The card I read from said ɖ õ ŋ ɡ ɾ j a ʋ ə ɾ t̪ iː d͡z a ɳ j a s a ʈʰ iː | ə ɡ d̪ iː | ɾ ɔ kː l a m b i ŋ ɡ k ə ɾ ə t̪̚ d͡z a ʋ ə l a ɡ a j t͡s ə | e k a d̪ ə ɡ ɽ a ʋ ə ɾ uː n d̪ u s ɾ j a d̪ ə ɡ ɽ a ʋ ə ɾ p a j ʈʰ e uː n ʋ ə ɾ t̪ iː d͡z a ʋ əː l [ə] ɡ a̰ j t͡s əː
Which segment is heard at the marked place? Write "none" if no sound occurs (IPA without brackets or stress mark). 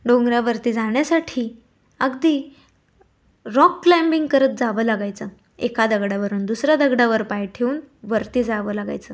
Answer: a